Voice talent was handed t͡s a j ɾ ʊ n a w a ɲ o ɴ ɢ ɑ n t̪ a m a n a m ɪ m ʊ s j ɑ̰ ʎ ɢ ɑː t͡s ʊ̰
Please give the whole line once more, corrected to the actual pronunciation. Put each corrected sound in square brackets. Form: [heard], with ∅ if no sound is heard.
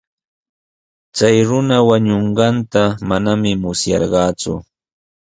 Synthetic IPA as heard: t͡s a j ɾ ʊ n a w a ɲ o ɴ ɢ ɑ n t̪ a m a n a m ɪ m ʊ s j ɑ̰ [ɾ] ɢ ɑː t͡s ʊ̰